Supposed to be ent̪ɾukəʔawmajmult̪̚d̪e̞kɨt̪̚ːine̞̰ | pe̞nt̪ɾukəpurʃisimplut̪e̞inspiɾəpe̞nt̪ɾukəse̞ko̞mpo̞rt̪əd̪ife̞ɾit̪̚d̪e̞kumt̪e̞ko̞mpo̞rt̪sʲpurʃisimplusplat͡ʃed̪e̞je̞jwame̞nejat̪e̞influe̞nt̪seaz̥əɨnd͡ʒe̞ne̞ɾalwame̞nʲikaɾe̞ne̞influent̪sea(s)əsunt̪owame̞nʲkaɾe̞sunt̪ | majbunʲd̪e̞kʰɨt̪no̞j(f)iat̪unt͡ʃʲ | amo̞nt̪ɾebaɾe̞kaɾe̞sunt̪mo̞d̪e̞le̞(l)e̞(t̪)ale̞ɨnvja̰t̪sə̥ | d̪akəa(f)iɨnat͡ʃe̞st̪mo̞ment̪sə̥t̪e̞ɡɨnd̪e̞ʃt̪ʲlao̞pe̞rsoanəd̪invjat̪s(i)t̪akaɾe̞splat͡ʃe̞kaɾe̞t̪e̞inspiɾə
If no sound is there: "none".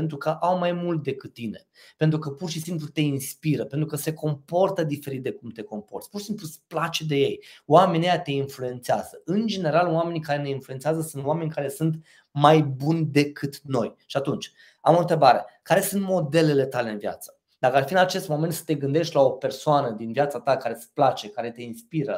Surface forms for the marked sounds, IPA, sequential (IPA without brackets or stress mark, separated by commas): z, ʃ, l, t̪, f, a